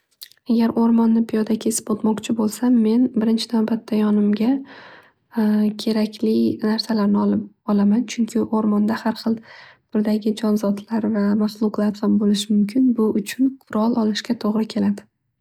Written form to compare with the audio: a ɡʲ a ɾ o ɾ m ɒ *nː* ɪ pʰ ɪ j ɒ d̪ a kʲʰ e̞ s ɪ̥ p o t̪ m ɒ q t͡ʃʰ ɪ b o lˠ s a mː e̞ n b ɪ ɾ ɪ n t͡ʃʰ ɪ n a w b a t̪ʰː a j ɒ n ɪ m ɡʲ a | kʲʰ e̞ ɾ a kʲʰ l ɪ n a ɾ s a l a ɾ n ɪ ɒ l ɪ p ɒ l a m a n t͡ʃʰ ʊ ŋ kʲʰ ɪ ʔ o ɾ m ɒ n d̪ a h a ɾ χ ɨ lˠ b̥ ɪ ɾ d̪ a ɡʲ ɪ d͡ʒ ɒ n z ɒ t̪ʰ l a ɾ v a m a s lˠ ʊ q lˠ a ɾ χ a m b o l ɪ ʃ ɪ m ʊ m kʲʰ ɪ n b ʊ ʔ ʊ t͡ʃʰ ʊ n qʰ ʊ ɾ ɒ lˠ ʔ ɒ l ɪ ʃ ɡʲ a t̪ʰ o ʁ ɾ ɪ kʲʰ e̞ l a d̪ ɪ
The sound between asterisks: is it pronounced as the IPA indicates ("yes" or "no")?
yes